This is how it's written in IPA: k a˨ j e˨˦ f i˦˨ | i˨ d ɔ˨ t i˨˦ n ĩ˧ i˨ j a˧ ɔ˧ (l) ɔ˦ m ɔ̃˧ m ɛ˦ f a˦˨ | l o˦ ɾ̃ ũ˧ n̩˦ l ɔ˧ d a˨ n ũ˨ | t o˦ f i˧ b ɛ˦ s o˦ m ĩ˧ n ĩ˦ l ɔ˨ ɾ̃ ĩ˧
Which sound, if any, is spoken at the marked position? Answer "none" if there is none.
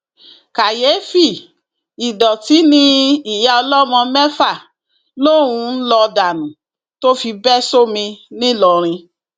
l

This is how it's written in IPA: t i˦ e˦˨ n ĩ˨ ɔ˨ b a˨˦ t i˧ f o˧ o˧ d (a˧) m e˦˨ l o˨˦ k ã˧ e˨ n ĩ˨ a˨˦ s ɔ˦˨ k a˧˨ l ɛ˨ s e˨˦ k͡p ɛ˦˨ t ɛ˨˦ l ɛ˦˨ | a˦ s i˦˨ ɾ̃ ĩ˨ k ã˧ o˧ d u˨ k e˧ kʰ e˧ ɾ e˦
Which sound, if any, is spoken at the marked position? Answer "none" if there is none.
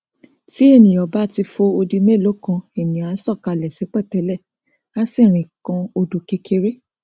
i˧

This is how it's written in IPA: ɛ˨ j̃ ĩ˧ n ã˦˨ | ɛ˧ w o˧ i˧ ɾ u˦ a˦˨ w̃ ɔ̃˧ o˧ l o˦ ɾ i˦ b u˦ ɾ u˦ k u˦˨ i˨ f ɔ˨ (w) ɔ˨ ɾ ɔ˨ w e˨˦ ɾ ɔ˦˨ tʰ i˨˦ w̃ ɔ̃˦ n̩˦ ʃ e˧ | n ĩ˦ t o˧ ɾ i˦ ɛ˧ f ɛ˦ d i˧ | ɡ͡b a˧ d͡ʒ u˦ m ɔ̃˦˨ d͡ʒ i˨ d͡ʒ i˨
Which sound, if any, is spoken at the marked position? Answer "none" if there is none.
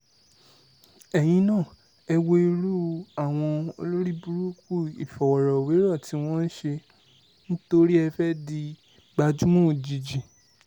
w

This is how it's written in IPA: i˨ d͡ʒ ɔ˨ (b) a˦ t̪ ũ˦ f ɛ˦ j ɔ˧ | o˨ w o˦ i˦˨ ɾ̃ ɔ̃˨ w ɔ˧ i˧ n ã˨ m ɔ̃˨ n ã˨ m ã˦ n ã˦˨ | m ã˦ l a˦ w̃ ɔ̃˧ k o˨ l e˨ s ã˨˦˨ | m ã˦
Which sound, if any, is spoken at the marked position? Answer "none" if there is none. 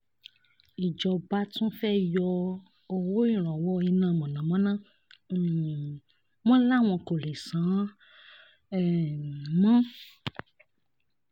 b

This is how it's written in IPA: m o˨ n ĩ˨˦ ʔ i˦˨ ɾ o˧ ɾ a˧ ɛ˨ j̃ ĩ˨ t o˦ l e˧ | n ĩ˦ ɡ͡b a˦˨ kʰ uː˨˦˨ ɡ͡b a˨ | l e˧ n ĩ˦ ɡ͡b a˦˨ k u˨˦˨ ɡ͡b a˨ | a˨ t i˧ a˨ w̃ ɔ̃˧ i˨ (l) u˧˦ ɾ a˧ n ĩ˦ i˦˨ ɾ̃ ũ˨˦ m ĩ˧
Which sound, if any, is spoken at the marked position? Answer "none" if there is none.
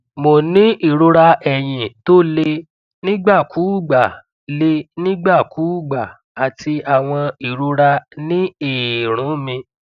ɾ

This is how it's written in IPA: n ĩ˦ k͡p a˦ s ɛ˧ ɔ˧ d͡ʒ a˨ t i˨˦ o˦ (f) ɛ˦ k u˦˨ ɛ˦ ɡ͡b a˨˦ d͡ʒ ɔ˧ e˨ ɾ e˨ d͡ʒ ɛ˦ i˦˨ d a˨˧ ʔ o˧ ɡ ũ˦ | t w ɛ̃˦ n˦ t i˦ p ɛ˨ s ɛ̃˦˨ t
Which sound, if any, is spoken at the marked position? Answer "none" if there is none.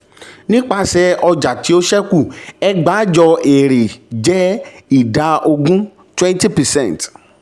ʃ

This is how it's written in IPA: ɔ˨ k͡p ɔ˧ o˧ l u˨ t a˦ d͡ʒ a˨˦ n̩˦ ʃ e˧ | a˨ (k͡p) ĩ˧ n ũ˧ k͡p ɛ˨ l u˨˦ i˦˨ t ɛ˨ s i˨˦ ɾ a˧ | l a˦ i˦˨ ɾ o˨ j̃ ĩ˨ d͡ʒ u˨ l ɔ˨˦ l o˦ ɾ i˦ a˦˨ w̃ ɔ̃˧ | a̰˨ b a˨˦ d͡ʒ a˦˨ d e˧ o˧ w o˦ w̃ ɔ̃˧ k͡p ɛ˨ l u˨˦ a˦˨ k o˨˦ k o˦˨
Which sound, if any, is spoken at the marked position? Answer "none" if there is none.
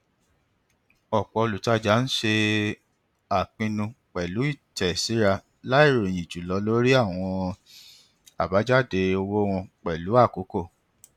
k͡p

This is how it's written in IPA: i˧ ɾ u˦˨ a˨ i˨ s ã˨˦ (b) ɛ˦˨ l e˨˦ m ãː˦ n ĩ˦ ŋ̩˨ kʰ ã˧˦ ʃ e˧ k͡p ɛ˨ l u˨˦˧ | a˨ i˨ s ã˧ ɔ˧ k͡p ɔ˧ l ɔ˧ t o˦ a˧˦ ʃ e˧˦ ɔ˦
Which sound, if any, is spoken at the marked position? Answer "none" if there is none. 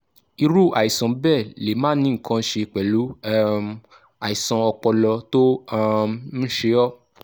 b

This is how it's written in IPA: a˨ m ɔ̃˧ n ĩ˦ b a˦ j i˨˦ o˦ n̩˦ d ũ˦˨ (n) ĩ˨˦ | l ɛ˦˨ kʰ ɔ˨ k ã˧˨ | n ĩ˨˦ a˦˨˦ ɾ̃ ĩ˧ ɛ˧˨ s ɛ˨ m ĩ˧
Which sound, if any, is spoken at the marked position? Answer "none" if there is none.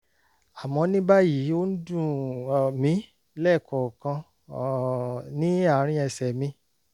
m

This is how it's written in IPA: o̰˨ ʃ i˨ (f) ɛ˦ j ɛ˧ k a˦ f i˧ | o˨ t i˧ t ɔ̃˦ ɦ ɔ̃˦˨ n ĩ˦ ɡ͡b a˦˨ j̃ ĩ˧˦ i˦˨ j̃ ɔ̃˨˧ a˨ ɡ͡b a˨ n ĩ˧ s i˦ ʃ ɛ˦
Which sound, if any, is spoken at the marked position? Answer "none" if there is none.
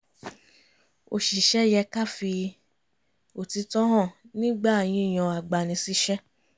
ʃ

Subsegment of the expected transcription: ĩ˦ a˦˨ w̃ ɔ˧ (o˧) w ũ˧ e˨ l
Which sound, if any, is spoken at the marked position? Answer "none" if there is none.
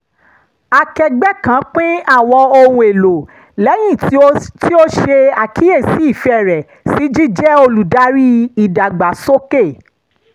o˧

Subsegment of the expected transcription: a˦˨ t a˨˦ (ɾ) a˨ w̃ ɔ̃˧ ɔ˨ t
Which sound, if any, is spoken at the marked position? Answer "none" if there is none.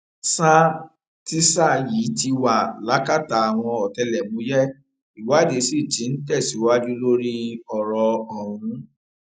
none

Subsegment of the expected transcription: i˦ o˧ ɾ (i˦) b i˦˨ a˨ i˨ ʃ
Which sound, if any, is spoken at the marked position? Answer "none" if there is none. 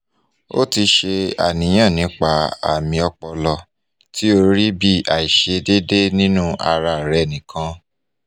i˦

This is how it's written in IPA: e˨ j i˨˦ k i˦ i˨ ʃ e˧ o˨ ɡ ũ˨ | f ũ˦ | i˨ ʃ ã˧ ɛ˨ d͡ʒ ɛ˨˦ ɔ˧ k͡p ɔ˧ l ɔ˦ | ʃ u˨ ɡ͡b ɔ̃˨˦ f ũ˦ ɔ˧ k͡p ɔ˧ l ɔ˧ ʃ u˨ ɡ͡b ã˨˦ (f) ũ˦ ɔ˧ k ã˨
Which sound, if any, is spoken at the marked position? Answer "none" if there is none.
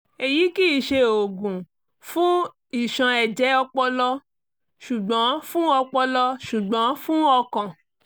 f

